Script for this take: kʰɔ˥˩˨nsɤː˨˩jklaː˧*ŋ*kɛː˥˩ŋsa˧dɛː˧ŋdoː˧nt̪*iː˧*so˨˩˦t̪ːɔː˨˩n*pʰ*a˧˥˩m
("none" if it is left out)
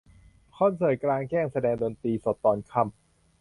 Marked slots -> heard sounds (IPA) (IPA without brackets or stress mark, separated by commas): ŋ, iː˧, kʰ